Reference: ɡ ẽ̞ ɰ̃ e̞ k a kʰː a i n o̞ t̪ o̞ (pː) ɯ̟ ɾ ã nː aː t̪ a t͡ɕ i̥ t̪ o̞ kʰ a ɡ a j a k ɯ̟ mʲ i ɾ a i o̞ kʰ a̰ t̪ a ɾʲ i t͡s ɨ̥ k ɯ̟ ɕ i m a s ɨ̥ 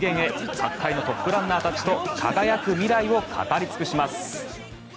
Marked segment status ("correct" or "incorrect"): correct